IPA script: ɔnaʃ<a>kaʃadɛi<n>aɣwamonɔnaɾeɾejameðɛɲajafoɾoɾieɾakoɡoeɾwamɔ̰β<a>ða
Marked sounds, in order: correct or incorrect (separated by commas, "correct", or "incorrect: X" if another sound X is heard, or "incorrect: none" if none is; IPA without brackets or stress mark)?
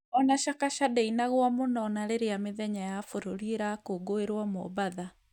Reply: correct, correct, correct